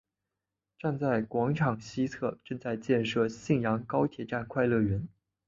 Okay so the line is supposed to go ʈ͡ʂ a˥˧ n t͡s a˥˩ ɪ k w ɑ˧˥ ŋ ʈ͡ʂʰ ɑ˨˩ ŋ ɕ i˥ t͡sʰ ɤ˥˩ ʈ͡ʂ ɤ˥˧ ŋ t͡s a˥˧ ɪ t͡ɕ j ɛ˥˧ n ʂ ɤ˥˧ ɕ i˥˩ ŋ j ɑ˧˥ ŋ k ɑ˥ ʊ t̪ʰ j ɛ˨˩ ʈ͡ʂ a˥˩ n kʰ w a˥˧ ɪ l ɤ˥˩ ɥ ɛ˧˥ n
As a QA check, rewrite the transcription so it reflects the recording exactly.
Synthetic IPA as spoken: ʈ͡ʂ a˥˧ n t͡s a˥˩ ɪ k w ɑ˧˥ ŋ ʈ͡ʂʰ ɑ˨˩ ŋ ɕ i˥ t͡sʰ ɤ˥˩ ʈ͡ʂ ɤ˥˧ ŋ t͡s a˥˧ ɪ t͡ɕ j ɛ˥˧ n ʂ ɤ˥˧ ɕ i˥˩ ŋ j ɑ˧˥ ŋ k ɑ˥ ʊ t̪ʰ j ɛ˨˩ ʈ͡ʂ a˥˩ n kʰ w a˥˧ ɪ l ɤ˥˩ ɥ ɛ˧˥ n